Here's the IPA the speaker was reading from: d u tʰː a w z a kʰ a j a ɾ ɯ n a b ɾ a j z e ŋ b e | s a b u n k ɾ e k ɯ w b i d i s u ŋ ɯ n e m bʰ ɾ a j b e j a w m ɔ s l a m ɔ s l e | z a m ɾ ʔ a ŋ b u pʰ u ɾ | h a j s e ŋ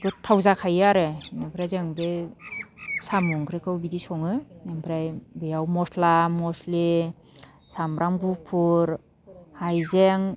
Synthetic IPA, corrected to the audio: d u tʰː a w z a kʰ a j a ɾ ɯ n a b ɾ a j z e ŋ b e | s a m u ŋ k ɾ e k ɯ w b i d i s ɔ ŋ ɯ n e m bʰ ɾ a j b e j a w m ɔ s l a m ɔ s l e | s a m ɾ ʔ a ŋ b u pʰ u ɾ | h a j z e ŋ